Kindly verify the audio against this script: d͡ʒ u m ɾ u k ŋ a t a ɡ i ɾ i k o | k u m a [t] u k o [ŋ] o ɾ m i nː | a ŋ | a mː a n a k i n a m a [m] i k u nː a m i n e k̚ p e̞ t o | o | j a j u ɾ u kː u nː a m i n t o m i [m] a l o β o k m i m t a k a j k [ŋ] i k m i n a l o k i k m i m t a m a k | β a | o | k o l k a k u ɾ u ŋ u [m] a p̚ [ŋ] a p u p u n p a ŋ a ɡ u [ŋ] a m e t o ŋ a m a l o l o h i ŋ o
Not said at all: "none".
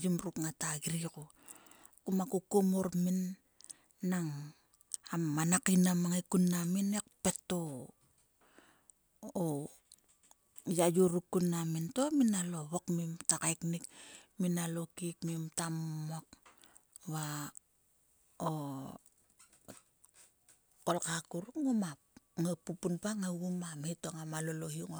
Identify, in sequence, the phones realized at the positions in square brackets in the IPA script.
k, m, ŋ, n, n, m, ŋ, m

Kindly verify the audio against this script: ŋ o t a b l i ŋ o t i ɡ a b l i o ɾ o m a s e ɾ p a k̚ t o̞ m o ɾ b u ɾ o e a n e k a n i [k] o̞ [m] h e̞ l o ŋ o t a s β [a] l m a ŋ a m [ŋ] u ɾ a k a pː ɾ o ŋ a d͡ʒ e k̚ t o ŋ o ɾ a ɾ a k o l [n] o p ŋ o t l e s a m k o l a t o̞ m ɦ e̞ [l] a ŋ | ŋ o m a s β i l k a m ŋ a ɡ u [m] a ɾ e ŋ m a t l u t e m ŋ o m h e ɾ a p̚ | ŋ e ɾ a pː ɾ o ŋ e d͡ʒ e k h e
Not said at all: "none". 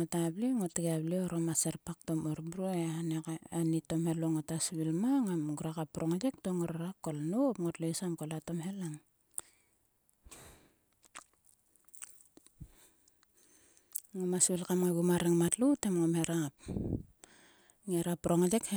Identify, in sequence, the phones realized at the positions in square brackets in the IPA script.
t, m, i, ɡ, n, l, m

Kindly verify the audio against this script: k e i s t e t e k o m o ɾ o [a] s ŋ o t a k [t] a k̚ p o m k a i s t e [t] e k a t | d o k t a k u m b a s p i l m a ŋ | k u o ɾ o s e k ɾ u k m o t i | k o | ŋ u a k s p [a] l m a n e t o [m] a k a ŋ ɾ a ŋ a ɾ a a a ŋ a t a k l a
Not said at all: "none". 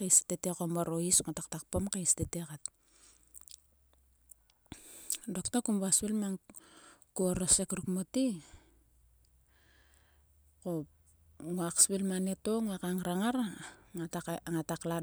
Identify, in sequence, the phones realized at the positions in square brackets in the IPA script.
i, t, t, i, ŋ

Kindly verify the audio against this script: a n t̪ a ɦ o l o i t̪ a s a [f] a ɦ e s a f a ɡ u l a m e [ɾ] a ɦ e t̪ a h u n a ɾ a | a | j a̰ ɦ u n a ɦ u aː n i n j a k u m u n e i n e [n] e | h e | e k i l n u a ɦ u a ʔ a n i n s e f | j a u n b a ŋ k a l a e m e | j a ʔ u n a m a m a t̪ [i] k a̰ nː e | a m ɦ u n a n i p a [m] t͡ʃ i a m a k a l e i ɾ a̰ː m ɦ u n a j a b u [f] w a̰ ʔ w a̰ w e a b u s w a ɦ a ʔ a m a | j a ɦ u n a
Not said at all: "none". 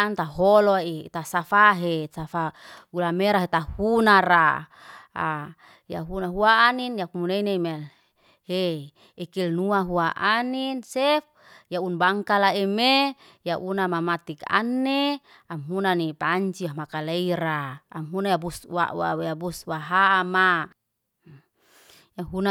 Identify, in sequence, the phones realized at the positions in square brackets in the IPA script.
f, ɾ, m, i, ɲ, s

